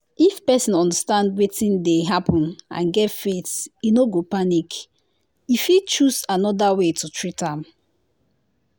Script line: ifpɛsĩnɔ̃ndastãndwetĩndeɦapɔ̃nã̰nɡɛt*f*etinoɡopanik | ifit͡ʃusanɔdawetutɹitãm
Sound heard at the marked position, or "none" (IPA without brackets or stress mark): f